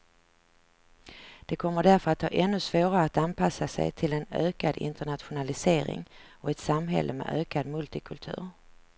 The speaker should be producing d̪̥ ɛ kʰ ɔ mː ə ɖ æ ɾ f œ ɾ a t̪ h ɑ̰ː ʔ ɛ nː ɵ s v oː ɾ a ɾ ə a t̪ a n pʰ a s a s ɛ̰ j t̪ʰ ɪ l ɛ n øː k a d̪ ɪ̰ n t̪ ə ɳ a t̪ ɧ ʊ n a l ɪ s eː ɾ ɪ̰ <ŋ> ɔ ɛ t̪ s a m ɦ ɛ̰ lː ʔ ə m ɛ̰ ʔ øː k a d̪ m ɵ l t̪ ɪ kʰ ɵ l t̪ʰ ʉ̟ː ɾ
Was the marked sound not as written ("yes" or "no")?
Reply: no